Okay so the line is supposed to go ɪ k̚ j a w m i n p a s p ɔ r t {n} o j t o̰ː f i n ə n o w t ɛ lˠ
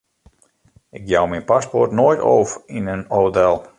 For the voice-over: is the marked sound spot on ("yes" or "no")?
yes